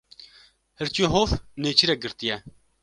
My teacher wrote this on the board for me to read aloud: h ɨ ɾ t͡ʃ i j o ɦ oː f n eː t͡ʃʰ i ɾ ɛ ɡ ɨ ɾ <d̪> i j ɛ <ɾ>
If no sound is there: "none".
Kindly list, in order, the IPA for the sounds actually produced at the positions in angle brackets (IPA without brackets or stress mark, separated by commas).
t̪, none